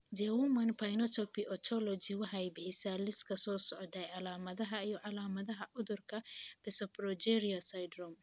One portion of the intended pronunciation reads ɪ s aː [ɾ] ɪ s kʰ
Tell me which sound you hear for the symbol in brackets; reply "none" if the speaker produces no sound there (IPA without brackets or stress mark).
l